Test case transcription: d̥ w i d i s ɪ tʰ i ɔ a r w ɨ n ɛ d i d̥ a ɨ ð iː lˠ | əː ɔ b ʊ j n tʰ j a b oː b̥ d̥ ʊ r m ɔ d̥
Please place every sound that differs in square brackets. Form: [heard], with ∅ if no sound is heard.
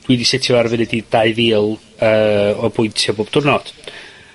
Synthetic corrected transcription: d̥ w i d i s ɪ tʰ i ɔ a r [v] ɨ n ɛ d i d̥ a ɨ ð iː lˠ | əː ɔ b ʊ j n tʰ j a b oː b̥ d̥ ʊ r [n] ɔ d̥